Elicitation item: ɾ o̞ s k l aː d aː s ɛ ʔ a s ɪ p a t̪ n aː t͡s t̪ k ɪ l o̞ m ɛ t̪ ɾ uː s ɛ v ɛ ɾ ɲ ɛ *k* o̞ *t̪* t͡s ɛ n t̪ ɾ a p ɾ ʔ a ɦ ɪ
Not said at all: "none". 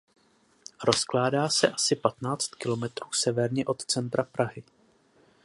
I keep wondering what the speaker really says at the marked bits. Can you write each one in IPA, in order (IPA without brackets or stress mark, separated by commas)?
ʔ, t̪